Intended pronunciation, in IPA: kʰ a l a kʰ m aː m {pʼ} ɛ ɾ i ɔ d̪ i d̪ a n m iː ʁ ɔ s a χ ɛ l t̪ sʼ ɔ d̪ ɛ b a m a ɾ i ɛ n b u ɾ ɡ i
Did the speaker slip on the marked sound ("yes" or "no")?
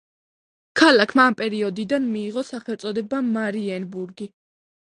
no